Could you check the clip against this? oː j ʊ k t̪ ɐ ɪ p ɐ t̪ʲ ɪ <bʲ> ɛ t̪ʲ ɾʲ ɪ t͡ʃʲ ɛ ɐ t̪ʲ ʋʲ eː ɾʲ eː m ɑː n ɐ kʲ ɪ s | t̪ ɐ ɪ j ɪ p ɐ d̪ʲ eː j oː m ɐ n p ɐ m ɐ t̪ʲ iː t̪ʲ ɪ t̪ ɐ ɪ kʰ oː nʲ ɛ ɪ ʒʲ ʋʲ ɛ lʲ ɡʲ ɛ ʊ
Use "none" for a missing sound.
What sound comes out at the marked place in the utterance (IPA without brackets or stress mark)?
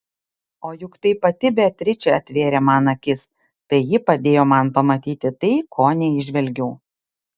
bʲ